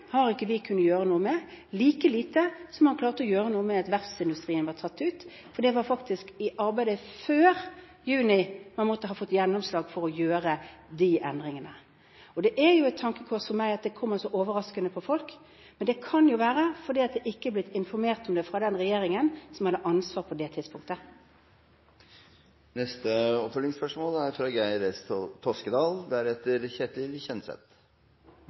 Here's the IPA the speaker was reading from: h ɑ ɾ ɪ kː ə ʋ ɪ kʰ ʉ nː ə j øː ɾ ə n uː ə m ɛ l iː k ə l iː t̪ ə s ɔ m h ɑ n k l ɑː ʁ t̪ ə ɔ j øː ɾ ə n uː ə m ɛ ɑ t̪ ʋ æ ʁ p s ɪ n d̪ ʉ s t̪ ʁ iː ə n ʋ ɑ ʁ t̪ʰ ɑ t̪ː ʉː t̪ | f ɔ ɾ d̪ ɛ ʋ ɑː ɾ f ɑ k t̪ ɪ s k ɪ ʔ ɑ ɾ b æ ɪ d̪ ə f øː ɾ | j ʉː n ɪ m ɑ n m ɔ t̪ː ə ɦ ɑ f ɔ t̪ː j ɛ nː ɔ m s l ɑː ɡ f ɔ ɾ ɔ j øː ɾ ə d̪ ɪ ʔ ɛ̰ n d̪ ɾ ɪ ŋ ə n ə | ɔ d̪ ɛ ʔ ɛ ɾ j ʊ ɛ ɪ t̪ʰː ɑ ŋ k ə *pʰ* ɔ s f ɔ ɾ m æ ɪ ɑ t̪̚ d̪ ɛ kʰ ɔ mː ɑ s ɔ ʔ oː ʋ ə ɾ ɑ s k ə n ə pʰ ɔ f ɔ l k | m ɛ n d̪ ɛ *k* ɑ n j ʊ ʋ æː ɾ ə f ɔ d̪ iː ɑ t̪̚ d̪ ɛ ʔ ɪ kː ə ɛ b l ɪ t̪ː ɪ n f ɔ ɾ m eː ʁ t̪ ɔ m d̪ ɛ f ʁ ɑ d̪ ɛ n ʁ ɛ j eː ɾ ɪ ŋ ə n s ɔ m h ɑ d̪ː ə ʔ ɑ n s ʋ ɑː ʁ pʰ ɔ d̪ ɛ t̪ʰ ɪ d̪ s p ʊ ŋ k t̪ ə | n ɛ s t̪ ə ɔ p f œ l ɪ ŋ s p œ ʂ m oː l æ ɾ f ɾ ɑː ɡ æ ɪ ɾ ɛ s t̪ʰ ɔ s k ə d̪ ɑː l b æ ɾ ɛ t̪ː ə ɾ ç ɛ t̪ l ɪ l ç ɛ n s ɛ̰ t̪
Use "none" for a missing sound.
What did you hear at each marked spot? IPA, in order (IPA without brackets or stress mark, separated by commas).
kʰ, kʰ